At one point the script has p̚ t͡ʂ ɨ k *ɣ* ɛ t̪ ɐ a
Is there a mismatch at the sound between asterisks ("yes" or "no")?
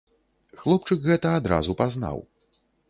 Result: no